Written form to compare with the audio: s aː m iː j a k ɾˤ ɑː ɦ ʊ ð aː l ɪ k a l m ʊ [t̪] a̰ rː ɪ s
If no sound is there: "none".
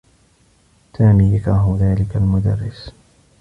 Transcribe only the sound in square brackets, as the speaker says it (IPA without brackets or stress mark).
d̪